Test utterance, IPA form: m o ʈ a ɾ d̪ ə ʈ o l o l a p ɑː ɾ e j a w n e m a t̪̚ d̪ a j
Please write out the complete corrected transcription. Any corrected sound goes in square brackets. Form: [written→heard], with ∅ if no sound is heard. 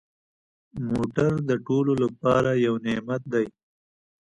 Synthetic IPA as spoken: m o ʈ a ɾ d̪ ə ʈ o l o l a p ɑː ɾ [e→a] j a w n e m a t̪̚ d̪ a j